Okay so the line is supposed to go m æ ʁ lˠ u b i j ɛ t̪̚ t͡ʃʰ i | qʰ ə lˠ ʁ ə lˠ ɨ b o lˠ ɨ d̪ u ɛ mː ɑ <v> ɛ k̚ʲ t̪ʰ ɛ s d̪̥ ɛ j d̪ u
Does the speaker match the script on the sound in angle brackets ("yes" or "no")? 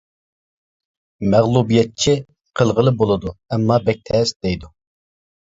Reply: no